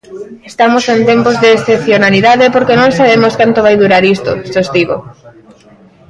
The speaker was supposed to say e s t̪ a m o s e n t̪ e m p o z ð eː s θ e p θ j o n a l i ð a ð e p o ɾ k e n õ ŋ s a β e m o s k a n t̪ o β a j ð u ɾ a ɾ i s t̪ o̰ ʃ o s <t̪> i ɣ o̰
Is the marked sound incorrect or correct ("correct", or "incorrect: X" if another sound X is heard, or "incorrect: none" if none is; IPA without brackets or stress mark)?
correct